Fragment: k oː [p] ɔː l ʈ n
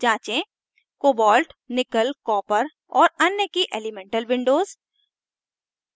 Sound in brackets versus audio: incorrect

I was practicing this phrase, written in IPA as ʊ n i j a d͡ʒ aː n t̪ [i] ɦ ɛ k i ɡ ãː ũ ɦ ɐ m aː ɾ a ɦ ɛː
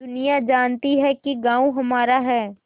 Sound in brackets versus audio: correct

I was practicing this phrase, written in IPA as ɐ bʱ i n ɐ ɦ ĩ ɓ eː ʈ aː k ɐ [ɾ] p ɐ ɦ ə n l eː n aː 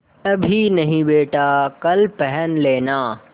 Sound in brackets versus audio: incorrect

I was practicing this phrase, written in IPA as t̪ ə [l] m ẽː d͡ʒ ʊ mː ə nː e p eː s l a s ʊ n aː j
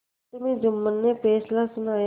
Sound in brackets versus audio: incorrect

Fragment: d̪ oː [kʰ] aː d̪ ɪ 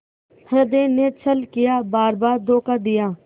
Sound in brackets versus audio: incorrect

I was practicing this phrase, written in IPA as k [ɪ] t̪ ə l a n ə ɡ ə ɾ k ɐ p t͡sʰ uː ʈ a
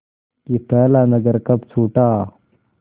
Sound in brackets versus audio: incorrect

